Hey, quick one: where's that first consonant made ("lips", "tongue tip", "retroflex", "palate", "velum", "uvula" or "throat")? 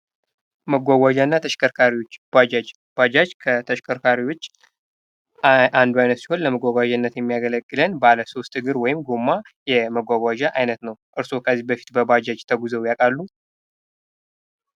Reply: lips